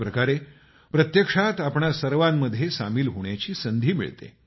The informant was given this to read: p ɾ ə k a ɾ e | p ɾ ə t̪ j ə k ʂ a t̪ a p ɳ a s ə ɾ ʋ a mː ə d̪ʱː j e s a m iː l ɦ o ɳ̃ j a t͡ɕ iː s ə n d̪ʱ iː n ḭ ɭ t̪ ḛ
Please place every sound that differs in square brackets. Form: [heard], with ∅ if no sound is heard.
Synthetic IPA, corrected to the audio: p ɾ ə k a ɾ e | p ɾ ə t̪ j ə k ʂ a t̪ a p ɳ a s ə ɾ ʋ a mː ə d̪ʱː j e s a m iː l ɦ o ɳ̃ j a t͡ɕ iː s ə n d̪ʱ iː [m] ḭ ɭ t̪ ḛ